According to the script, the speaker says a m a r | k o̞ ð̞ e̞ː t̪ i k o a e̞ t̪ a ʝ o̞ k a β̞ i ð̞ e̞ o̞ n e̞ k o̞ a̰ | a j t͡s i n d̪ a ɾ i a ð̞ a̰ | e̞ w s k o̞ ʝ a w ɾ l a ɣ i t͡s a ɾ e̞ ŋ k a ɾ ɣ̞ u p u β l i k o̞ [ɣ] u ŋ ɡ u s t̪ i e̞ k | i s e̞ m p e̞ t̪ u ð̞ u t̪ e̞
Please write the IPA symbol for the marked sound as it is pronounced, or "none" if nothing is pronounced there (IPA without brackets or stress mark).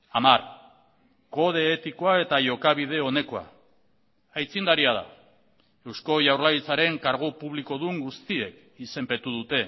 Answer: ð